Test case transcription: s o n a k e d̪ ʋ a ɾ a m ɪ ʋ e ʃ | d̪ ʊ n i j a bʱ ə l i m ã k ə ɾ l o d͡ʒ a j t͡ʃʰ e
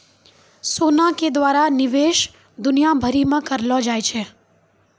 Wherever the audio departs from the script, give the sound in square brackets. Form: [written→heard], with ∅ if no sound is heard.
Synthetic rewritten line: s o n a k e d̪ ʋ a ɾ a [m→n] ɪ ʋ e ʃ | d̪ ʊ n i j a bʱ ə [l→ɾ] i m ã k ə ɾ l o d͡ʒ a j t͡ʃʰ e